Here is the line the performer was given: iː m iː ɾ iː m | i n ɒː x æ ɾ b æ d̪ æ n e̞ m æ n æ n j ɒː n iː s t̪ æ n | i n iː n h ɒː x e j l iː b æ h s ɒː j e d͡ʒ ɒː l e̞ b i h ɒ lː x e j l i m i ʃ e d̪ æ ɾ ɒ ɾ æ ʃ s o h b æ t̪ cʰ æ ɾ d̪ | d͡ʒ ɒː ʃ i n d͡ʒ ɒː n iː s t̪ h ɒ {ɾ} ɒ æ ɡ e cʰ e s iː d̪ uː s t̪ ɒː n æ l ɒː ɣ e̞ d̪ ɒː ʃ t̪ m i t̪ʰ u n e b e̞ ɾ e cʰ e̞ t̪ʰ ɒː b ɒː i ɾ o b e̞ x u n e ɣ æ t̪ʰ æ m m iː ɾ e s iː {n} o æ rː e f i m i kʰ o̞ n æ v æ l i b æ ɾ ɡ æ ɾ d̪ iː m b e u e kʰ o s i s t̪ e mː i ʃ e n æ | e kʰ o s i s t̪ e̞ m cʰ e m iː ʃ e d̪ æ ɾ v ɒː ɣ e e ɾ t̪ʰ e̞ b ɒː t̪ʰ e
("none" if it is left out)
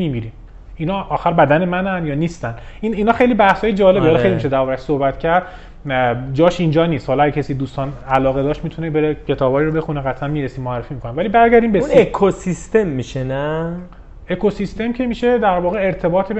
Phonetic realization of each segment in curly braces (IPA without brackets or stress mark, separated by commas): l, m